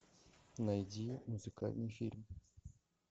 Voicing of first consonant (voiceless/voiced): voiced